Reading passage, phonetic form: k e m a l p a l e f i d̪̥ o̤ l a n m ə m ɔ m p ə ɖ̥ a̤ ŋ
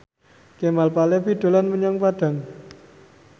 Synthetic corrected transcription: k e m a l p a l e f i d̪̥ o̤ l a n m ə ɲ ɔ ŋ p a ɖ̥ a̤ ŋ

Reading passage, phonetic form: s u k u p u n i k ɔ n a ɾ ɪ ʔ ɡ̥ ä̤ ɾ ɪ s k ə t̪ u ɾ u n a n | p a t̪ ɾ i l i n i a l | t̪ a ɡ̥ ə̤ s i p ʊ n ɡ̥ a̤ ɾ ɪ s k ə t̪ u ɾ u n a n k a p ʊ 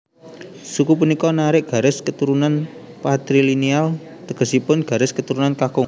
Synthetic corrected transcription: s u k u p u n i k ɔ n a ɾ ɪ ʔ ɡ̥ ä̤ ɾ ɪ s k ə t̪ u ɾ u n a n | p a t̪ ɾ i l i n i a l | t̪ ə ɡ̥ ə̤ s i p ʊ n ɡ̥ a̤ ɾ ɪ s k ə t̪ u ɾ u n a n k a k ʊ

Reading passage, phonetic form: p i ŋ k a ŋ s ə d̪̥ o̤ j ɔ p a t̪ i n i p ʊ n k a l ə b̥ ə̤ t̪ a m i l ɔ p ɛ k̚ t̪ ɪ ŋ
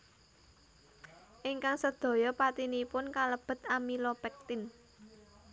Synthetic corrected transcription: ʔ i ŋ k a ŋ s ə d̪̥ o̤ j ɔ p a t̪ i n i p ʊ n k a l ə b̥ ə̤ t̪ a m i l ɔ p ɛ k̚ t̪ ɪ n

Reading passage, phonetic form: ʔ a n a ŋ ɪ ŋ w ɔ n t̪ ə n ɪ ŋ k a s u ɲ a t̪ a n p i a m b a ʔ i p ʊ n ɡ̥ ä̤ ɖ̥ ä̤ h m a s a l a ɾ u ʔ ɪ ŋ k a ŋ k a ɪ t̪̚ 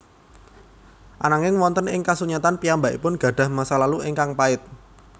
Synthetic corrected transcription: ʔ a n a ŋ ɪ ŋ w ɔ n t̪ ə n ɪ ŋ k a s u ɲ a t̪ a n p i a m b a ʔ i p ʊ n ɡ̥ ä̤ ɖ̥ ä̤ h m a s a l a l u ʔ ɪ ŋ k a ŋ p a ɪ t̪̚

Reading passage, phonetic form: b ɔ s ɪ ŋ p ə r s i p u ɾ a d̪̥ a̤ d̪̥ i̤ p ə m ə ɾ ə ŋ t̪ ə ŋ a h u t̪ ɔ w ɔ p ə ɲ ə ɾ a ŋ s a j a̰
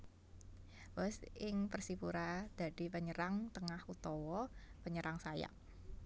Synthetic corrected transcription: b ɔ s ɪ ŋ p ə r s i p u ɾ a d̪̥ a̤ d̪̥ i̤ p ə ɲ ə ɾ a ŋ t̪ ə ŋ a h u t̪ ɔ w ɔ p ə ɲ ə ɾ a ŋ s a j a̰

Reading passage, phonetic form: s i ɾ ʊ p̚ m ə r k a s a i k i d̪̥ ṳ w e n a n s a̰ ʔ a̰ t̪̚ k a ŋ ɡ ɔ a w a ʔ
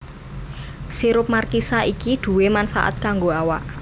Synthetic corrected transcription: s i ɾ ʊ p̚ m a r k i s a i k i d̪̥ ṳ w e m a n f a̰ ʔ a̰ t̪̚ k a ŋ ɡ o a w a ʔ

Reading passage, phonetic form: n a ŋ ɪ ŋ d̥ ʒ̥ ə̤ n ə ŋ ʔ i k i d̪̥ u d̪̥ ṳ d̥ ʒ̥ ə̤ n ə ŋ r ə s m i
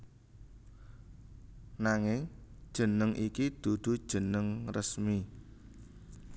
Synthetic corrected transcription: n a ŋ ɪ ŋ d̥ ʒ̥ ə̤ n ə ŋ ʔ i k i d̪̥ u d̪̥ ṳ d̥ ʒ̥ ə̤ n ə ŋ r ə s m i

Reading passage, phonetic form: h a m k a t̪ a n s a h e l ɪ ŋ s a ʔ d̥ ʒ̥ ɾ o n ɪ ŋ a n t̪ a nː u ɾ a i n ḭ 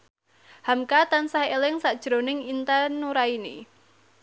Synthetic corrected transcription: h a m k a t̪ a n s a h e l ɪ ŋ s a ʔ d̥ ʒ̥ ɾ o n ɪ ŋ i n t̪ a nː u ɾ a i n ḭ

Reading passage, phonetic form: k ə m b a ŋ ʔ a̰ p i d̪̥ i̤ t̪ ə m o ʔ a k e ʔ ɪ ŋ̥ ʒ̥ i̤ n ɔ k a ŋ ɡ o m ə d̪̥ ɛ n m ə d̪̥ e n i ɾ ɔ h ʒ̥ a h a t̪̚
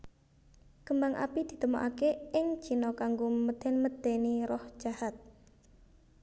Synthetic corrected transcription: k ə m b a ŋ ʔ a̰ p i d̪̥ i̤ t̪ ə m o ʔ a k e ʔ ɪ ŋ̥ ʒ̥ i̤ n ɔ k a ŋ ɡ o m ə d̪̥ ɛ n m ə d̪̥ e n i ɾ ɔ h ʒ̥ a h a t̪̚

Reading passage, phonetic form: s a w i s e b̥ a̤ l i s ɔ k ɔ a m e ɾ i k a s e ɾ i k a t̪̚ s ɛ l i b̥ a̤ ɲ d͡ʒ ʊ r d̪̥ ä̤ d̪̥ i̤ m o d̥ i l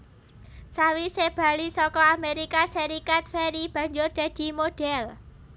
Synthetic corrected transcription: s a w i s e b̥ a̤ l i s ɔ k ɔ a m e ɾ i k a s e ɾ i k a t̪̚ f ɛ ɾ i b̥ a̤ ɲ d͡ʒ ʊ r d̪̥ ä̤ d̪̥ i̤ m o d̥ ɛ l

